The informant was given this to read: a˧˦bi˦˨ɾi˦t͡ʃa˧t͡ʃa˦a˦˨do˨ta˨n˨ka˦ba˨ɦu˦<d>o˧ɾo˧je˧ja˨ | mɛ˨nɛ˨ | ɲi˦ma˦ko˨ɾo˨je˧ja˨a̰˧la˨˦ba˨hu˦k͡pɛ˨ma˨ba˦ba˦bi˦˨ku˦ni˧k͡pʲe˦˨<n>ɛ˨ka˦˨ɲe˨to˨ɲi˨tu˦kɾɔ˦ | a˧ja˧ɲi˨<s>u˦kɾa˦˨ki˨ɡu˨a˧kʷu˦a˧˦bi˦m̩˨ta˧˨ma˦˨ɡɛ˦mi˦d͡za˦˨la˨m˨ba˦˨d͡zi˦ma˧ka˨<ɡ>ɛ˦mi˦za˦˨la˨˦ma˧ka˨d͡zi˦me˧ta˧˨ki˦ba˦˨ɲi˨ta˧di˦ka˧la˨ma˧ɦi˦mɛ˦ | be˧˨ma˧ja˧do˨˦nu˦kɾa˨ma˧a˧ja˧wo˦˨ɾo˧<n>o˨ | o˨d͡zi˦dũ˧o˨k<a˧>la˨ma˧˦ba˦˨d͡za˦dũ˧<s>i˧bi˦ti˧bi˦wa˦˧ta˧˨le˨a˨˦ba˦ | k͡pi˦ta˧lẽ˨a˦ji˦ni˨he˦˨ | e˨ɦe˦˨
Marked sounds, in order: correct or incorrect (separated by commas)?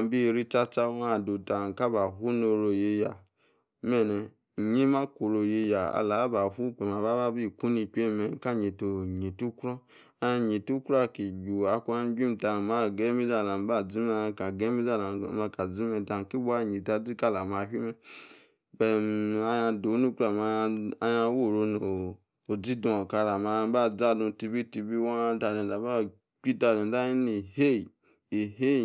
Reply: incorrect, incorrect, incorrect, correct, correct, correct, incorrect